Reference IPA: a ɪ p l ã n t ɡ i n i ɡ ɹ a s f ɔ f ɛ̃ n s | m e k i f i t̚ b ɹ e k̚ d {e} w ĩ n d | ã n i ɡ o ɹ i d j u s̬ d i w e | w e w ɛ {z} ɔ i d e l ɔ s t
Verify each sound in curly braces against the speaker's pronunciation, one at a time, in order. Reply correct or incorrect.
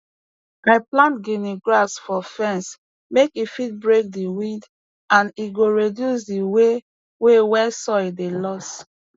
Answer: incorrect: i, incorrect: s

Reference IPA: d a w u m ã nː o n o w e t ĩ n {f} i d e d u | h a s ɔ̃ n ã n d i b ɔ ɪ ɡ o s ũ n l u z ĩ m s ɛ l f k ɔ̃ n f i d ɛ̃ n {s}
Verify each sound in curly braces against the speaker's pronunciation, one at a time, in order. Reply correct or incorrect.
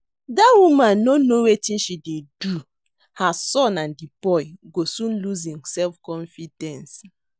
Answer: incorrect: ʃ, correct

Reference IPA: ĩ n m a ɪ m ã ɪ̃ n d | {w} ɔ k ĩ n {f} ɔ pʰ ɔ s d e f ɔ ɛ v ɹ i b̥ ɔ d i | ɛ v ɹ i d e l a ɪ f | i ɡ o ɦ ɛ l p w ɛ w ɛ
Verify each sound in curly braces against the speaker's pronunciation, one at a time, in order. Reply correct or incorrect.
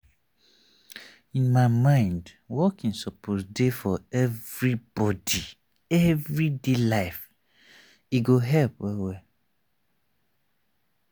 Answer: correct, incorrect: s

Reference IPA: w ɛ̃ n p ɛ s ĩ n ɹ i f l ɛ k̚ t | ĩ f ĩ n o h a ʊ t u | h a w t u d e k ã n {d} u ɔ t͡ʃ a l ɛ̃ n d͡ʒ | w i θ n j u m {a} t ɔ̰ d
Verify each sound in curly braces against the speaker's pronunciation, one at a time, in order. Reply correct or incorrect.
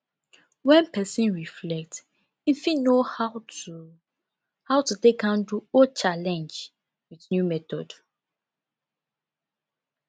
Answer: correct, incorrect: ɛ

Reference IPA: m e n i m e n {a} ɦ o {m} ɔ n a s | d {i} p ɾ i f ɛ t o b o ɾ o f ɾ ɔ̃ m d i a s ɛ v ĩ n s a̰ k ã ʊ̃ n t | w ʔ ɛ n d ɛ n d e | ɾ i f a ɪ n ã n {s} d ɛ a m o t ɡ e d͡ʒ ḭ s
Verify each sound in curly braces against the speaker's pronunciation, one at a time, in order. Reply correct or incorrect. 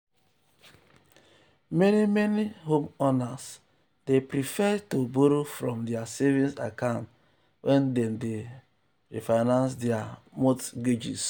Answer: incorrect: i, correct, incorrect: e, correct

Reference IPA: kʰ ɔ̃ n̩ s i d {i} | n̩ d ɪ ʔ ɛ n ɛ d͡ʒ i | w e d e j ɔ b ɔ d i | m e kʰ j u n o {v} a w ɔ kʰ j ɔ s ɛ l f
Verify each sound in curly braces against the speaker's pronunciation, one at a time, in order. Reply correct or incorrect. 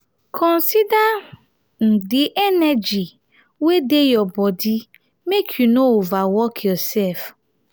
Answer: incorrect: a, correct

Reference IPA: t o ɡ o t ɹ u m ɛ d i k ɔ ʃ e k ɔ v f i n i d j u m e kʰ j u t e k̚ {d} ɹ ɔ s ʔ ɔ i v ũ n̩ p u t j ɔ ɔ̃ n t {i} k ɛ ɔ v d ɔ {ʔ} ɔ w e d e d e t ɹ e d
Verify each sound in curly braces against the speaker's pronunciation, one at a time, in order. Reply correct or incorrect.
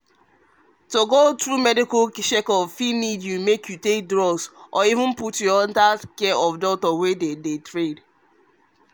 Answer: correct, incorrect: a, incorrect: t

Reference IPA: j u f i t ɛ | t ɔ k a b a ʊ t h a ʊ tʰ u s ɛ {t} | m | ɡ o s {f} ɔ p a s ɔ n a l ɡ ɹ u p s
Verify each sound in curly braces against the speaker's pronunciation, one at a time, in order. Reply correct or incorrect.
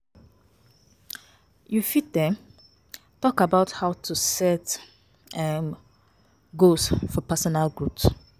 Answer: correct, correct

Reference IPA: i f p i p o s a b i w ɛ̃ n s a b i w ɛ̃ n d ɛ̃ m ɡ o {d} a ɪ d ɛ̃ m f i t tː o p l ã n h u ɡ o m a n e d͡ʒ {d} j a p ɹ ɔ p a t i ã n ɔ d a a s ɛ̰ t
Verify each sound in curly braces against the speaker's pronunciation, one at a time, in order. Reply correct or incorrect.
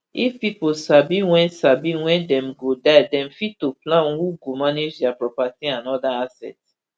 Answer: correct, correct

